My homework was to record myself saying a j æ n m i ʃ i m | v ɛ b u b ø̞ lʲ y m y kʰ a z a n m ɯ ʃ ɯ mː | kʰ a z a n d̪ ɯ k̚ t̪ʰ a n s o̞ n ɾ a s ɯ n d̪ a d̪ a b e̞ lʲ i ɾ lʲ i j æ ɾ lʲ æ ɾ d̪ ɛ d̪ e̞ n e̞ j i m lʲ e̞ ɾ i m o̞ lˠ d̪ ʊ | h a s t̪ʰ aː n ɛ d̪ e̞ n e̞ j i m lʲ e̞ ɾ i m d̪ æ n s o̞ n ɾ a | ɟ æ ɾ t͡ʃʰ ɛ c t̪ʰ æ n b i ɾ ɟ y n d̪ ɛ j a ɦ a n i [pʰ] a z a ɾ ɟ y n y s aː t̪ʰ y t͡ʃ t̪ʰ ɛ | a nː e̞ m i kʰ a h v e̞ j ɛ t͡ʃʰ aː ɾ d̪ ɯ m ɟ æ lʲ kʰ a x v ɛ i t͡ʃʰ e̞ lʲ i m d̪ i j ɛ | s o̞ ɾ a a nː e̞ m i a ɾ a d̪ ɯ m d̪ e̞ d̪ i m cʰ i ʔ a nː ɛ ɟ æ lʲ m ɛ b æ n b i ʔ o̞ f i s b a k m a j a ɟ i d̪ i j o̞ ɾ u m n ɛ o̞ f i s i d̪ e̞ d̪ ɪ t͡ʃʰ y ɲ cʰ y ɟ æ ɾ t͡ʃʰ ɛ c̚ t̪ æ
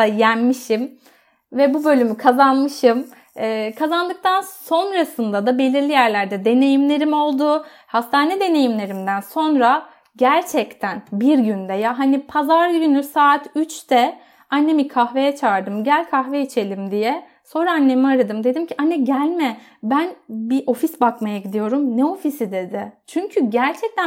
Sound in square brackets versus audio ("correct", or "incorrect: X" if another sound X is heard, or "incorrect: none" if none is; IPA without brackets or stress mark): correct